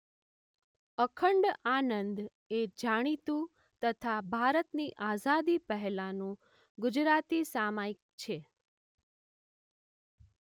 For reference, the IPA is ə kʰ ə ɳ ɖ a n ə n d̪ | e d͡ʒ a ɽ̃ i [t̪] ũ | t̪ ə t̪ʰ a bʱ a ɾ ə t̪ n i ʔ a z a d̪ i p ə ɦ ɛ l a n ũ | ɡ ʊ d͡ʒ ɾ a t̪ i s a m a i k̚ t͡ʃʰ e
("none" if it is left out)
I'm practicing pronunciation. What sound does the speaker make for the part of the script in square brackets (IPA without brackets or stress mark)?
t̪